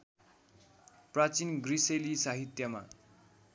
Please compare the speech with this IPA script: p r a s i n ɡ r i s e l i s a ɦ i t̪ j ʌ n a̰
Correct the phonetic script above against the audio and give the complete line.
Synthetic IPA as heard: p r a t͡s i n ɡ r i s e l i s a ɦ i t̪ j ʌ m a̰